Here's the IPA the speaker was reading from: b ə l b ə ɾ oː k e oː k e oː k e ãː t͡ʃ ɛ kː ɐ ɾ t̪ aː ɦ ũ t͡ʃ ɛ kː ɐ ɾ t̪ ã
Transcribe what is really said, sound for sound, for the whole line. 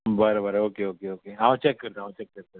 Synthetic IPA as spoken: b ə ɾ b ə ɾ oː k e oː k e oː k e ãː t͡ʃ ɛ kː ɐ ɾ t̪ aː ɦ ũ t͡ʃ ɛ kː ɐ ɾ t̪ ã